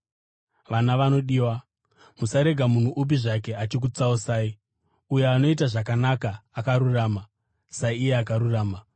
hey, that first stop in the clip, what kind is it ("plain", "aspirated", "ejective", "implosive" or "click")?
implosive